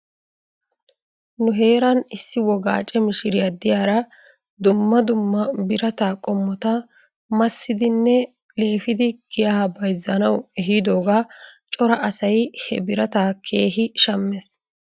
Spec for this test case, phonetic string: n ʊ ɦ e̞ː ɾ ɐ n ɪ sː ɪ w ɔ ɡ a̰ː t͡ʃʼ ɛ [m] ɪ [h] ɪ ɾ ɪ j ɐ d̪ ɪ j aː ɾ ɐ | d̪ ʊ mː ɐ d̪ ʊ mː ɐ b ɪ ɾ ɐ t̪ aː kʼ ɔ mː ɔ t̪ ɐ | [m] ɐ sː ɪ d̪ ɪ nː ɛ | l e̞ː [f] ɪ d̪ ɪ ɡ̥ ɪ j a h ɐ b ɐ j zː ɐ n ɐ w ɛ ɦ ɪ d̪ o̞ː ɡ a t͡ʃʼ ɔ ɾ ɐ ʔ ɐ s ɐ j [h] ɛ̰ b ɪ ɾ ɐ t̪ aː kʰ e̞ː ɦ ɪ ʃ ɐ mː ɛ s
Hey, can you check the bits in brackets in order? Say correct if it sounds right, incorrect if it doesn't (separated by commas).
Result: correct, incorrect, correct, correct, correct